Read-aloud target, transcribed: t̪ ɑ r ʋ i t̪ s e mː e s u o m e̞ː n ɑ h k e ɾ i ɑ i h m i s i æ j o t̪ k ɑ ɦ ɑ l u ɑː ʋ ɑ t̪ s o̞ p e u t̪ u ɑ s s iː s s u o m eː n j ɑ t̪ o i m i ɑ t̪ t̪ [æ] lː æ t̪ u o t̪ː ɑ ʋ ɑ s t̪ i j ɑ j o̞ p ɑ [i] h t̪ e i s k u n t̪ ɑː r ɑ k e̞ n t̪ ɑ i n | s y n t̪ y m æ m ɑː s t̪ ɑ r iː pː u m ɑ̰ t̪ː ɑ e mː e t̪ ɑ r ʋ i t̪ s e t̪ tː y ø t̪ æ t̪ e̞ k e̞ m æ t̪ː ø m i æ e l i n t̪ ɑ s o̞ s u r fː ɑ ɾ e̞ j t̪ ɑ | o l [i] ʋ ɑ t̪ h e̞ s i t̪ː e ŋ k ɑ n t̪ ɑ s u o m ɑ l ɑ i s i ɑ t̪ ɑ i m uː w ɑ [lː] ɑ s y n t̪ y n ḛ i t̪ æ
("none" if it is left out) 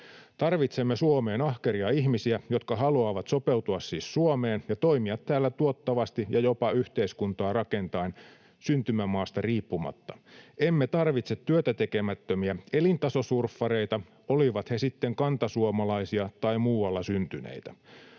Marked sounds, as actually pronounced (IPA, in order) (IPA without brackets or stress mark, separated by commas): æː, y, i, lː